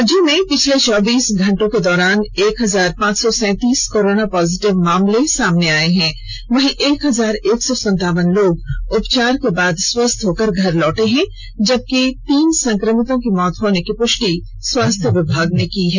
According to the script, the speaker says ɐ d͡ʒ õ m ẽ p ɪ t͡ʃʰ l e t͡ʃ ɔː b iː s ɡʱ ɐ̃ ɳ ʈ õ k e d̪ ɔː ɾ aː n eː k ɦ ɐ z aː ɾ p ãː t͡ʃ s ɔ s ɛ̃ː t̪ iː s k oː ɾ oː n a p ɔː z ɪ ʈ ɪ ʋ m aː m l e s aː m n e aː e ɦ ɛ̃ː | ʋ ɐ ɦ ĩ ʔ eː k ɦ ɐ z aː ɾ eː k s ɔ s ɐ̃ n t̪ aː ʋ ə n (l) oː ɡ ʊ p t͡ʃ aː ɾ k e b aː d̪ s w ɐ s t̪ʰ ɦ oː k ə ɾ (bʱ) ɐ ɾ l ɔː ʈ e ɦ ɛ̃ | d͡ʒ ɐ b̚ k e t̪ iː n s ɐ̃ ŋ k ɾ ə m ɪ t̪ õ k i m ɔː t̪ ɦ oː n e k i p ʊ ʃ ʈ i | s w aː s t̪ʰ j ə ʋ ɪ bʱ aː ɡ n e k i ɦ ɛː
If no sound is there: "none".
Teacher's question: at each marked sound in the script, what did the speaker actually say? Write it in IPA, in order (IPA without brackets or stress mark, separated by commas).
l, ɡʱ